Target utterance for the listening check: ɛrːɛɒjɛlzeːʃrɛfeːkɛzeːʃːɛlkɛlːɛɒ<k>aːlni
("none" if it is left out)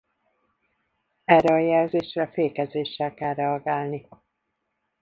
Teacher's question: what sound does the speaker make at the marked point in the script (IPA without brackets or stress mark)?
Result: ɡ